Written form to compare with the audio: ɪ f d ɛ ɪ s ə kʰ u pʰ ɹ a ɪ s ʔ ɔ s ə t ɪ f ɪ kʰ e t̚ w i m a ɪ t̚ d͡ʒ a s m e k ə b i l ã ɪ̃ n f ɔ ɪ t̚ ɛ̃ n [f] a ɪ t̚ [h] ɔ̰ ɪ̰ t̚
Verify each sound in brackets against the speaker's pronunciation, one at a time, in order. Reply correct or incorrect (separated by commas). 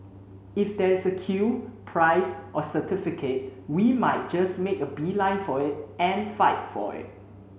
correct, incorrect